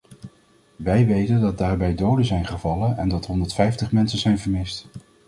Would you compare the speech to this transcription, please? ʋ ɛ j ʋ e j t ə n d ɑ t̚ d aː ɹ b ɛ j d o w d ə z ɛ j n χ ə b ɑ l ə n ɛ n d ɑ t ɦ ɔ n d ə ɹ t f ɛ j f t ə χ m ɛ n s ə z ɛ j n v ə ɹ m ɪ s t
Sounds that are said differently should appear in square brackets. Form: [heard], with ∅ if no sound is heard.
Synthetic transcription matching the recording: ʋ ɛ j ʋ e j t ə n d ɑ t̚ d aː ɹ b ɛ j d o w d ə z ɛ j n χ ə [v] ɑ l ə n ɛ n d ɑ t ɦ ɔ n d ə ɹ t f ɛ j f t ə χ m ɛ n s ə z ɛ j n v ə ɹ m ɪ s t